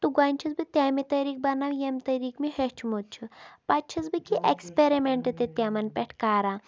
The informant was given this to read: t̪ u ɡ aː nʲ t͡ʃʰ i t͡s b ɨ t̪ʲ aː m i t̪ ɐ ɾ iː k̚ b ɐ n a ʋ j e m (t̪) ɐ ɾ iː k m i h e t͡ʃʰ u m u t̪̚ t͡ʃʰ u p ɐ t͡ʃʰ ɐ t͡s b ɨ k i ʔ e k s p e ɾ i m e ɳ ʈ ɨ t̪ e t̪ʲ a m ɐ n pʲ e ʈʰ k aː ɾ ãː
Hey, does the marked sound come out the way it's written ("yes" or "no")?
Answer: yes